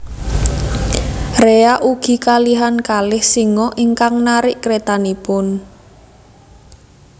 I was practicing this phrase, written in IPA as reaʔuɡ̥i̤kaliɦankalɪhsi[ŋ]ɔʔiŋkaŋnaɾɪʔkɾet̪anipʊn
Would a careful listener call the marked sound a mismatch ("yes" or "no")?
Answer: no